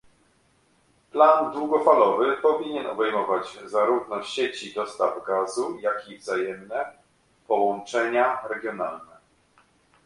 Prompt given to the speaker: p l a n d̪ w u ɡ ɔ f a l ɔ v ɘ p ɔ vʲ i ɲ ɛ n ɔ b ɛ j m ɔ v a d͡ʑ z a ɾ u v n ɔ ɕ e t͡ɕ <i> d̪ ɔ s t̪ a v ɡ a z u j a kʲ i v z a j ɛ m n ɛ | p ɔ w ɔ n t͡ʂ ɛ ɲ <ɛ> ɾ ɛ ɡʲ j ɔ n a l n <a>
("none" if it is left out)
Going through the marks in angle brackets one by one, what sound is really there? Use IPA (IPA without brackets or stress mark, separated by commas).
i, a, ɛ